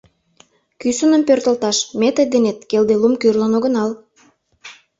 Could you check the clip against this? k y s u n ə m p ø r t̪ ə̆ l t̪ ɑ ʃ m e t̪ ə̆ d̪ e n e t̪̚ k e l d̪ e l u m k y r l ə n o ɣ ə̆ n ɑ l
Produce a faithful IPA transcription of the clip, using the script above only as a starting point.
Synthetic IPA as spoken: k y s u n ə m p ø r t̪ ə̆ l t̪ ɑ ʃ m e t̪ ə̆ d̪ e n e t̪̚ k e l d̪ e l u m k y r l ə n o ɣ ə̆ n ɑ l